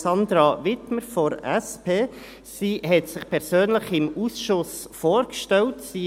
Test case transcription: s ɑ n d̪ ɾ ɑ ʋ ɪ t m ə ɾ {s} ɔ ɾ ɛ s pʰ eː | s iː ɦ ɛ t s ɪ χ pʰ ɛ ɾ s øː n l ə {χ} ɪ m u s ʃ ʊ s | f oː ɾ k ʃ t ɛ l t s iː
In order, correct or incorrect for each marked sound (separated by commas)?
incorrect, correct